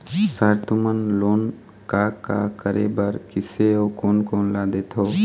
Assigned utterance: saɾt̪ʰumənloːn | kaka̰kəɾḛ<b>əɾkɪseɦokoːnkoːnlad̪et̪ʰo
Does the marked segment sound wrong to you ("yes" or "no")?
no